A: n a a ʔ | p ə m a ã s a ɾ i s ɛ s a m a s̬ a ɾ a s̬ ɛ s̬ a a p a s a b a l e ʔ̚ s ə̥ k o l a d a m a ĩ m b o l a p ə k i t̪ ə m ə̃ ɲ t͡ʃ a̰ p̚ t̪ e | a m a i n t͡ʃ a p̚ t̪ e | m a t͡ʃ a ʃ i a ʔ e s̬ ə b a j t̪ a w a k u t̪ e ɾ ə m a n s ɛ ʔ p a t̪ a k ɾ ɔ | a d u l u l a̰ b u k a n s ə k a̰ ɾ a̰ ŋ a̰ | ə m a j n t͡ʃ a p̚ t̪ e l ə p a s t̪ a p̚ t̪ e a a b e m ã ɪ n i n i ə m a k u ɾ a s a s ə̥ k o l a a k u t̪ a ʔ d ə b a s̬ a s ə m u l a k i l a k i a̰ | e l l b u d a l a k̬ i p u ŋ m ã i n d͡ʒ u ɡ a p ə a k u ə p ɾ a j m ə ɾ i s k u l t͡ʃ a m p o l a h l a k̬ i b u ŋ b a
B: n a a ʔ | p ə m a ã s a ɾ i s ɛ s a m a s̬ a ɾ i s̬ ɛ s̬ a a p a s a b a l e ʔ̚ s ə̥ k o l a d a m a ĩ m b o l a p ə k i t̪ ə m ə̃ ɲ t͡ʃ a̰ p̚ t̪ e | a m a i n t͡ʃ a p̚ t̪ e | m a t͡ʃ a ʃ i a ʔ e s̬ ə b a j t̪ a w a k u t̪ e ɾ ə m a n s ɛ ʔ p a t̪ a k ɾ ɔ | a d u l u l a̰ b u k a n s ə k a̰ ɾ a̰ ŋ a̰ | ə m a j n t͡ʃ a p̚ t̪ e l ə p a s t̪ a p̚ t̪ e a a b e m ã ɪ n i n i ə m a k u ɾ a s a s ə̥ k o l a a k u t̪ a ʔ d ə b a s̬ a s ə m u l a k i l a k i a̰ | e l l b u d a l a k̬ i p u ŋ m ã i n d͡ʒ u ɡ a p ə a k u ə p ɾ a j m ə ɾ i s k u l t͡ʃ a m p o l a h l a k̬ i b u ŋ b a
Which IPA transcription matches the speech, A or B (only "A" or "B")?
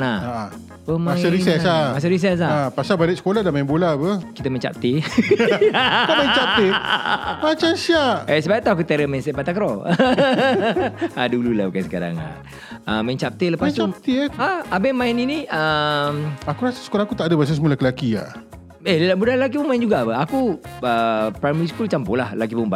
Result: B